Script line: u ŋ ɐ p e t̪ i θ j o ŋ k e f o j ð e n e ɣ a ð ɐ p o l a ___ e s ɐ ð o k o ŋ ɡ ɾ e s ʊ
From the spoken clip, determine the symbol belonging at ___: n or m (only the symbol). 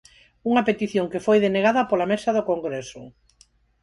m